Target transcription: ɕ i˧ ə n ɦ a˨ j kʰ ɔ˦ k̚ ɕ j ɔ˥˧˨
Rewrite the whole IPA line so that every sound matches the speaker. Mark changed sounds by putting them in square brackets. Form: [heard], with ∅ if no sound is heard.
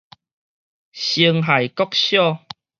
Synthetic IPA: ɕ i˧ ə [ŋ] ɦ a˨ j [k] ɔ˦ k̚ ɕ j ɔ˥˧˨